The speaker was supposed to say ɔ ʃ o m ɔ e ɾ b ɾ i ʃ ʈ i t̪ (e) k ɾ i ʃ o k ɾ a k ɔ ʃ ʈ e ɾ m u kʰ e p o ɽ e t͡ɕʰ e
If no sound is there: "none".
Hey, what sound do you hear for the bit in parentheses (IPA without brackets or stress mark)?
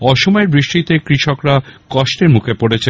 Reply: e